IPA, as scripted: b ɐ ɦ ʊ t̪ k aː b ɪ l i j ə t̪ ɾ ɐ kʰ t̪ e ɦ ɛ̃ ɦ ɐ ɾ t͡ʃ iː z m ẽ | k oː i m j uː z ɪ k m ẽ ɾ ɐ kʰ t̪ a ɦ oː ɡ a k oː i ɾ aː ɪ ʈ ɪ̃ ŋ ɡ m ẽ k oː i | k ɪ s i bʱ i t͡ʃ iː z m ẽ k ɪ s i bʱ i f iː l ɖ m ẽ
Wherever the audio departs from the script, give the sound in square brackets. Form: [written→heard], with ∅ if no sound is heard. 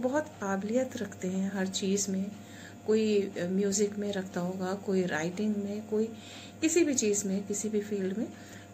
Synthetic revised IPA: b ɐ ɦ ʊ t̪ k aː b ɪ l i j ə t̪ ɾ ɐ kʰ t̪ e ɦ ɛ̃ ɦ ɐ ɾ t͡ʃ iː z m ẽ | k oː i m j uː z ɪ k m ẽ ɾ ɐ kʰ t̪ a ɦ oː ɡ a k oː i ɾ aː ɪ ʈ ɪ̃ ŋ ɡ m ẽ k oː i | k ɪ s i bʱ i t͡ʃ iː z m ẽ k ɪ s i bʱ i f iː l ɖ m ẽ